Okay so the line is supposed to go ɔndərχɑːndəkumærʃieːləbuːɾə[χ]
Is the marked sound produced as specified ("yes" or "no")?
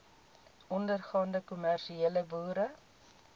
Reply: no